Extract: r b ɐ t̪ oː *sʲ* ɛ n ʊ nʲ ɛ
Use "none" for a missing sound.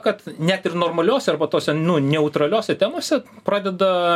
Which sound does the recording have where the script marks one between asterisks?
sʲ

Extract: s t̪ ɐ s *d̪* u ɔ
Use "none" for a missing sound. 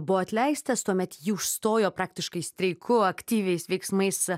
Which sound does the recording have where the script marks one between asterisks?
t̪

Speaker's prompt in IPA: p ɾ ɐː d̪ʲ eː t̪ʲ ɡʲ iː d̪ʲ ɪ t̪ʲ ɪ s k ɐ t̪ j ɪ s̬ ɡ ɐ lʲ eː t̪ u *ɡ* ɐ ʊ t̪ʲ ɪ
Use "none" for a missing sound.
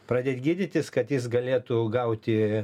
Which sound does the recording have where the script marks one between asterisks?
ɡ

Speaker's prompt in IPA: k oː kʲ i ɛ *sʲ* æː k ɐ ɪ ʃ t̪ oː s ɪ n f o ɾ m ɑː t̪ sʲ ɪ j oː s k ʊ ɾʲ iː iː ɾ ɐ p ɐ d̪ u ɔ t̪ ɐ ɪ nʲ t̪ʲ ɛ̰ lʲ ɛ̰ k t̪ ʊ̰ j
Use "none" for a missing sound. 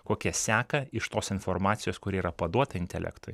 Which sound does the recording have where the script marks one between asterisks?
sʲ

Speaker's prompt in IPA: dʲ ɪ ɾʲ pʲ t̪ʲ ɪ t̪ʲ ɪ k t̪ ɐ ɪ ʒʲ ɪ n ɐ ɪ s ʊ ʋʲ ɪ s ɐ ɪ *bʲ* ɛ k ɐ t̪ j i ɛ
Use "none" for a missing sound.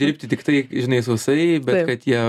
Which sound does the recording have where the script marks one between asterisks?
bʲ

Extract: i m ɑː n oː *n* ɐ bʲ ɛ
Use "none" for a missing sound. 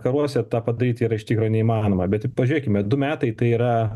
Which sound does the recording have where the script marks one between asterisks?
m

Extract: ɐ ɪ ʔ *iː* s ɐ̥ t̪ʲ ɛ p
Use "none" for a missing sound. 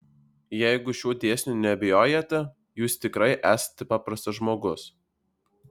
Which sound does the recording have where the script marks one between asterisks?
æː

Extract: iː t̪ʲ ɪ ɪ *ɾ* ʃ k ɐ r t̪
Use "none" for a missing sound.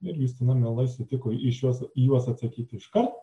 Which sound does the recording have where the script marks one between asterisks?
none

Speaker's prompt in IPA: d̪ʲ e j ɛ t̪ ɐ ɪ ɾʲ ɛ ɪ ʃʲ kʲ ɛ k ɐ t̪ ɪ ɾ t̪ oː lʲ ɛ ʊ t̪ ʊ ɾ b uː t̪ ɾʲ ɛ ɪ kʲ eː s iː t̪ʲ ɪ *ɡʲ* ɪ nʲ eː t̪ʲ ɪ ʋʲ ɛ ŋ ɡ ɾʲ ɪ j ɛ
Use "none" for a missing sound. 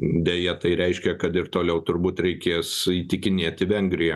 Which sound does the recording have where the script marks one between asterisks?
kʲ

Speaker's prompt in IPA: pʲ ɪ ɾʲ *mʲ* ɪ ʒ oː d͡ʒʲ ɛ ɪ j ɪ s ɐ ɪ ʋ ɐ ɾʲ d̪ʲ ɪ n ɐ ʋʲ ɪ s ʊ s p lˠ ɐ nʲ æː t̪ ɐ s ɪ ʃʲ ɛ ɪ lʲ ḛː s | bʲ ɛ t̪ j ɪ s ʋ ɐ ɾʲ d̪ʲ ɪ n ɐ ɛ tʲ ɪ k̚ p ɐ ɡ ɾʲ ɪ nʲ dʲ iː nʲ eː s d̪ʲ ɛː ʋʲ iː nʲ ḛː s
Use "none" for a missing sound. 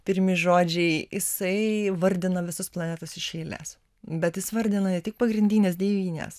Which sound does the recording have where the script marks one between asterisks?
mʲ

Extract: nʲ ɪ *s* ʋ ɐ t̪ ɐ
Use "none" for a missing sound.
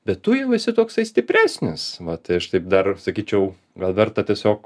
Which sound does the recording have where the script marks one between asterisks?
s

